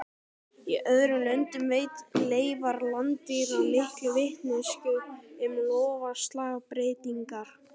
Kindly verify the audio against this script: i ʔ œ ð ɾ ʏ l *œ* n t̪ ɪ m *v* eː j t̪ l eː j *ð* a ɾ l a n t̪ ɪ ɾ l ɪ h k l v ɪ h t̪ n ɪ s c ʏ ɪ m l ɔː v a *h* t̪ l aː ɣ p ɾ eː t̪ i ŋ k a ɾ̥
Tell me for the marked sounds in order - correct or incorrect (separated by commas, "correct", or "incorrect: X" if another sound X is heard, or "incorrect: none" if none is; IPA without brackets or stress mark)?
correct, correct, incorrect: v, incorrect: s